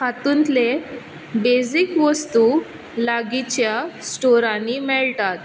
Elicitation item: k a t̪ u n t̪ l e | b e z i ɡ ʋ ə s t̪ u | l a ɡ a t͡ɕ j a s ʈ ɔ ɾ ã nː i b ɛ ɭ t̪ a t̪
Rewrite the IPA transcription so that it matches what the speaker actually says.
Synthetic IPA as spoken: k a t̪ u n t̪ l e | b e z i k ʋ ə s t̪ u | l a ɡ i t͡ɕ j a s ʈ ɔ ɾ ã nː i m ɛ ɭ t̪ a t̪